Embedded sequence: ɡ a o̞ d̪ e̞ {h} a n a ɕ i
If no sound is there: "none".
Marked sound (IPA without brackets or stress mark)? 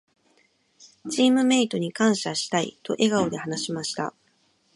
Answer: h